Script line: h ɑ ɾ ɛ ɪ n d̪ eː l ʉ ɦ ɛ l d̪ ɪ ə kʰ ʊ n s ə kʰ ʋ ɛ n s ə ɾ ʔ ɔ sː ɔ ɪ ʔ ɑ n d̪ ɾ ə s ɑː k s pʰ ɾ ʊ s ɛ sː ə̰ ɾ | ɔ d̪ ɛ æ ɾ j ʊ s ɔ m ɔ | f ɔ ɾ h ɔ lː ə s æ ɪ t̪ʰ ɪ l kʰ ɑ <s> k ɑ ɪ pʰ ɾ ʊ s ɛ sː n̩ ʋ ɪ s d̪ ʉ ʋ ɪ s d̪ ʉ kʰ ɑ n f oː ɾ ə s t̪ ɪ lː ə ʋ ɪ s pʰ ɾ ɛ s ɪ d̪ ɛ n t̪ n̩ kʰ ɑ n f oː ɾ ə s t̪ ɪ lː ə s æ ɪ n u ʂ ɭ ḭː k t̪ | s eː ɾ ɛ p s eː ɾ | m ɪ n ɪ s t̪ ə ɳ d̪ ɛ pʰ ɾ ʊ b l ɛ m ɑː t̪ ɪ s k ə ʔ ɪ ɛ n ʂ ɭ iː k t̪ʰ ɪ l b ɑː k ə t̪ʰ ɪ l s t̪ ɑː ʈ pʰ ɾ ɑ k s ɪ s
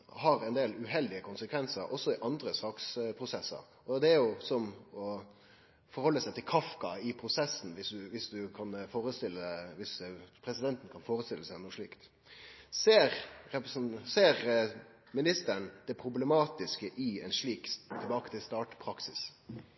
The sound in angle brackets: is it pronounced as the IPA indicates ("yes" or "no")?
no